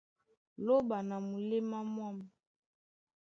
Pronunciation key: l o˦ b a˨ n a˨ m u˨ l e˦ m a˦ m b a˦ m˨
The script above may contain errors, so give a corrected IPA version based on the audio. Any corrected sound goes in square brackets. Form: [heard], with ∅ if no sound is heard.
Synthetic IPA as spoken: l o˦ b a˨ n a˨ m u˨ l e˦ m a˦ m [w] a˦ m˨